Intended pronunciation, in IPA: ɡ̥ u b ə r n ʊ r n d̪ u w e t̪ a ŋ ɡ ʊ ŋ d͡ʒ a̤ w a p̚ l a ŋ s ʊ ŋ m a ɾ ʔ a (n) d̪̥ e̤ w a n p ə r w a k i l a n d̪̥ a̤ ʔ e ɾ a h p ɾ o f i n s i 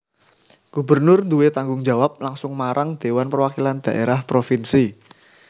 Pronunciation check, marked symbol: incorrect: ŋ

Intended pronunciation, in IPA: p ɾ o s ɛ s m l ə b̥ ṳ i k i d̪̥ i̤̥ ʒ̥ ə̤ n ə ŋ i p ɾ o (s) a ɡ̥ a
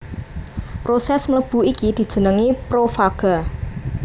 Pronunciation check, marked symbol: incorrect: f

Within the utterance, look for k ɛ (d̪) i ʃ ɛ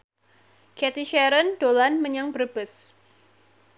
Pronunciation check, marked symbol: incorrect: t̪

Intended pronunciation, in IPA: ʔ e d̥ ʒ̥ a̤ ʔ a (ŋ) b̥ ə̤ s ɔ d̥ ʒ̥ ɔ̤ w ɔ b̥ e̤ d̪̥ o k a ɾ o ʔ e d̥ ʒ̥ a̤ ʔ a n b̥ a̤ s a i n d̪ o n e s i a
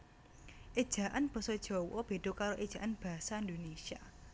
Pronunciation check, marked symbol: incorrect: n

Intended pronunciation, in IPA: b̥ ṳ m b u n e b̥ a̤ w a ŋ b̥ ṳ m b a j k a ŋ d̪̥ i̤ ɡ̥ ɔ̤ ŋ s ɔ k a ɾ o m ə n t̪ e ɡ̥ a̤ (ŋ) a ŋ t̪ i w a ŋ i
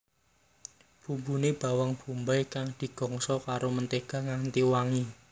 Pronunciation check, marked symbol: correct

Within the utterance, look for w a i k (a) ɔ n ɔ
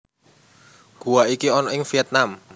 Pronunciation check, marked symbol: incorrect: i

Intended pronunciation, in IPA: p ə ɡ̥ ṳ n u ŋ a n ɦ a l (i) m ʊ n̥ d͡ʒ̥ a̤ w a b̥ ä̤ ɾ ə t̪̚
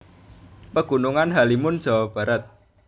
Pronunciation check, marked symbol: correct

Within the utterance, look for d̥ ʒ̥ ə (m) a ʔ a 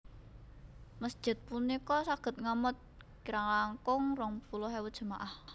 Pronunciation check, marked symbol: correct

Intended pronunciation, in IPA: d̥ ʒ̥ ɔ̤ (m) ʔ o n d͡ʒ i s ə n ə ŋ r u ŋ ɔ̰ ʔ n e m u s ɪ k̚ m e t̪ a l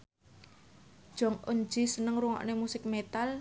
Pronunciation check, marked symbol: incorrect: ŋ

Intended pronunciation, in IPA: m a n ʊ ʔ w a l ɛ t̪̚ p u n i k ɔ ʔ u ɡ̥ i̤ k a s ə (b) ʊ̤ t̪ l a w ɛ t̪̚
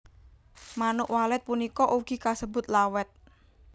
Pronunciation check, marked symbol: correct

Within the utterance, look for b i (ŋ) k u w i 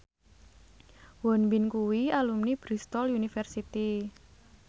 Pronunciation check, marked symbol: incorrect: n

